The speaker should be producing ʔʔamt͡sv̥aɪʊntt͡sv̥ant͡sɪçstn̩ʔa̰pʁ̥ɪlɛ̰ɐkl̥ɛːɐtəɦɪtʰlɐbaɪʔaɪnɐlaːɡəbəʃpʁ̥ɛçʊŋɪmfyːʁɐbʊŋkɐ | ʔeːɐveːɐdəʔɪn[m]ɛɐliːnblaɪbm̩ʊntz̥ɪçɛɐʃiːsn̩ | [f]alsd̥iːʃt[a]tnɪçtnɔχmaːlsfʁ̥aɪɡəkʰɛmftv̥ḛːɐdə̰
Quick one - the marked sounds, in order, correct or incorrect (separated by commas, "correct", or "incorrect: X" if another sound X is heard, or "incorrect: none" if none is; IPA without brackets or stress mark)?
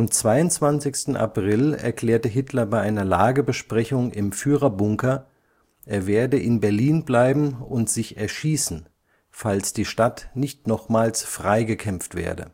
incorrect: b, correct, correct